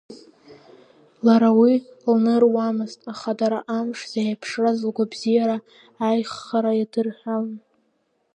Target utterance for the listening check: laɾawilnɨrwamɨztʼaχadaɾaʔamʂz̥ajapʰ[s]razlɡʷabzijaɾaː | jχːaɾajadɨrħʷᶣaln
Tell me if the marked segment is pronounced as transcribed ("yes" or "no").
no